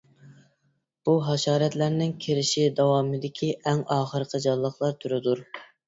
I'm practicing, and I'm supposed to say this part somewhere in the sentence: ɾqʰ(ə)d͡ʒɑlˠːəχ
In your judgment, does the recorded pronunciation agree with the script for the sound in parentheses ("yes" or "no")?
yes